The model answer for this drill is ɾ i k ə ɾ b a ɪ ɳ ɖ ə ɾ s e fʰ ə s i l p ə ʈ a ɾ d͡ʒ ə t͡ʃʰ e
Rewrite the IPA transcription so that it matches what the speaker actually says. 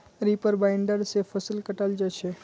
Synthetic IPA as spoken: ɾ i p ə ɾ b a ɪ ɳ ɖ ə ɾ s e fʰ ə s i l k ə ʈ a l d͡ʒ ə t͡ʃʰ e